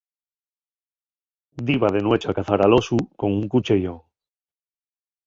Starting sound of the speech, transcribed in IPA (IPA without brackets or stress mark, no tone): d̪